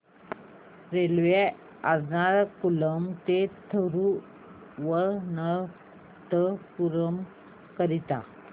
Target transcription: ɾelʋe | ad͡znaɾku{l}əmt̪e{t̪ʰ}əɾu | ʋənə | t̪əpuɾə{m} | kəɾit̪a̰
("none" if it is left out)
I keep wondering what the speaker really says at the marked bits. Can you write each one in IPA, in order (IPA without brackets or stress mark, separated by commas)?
l, t̪ʰ, m